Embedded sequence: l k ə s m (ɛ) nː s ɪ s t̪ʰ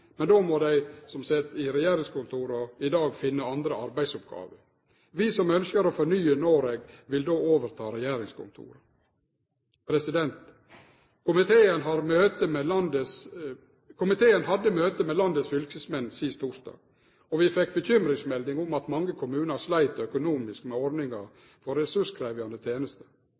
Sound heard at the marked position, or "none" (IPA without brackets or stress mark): ɛ